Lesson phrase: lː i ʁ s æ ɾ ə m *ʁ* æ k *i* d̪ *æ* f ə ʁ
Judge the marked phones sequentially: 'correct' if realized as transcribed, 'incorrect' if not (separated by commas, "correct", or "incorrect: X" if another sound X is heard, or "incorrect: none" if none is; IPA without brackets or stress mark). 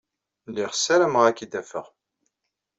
correct, correct, correct